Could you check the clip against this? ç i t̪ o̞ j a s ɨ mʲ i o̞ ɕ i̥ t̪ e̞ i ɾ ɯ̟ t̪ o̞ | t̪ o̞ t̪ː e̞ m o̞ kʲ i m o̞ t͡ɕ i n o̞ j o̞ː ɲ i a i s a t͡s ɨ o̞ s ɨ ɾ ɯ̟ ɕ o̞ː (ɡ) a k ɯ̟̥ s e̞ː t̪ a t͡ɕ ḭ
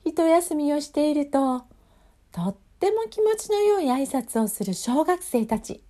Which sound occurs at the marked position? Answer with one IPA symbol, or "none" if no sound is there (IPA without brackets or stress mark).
ɡ